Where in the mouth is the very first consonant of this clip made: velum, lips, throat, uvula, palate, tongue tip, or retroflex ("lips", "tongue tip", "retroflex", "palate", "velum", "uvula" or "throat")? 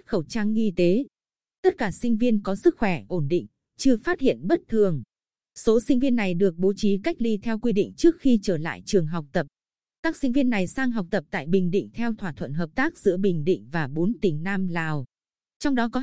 velum